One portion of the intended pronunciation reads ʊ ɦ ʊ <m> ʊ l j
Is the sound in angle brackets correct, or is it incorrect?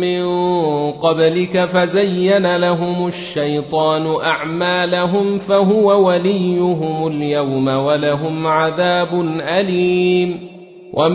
correct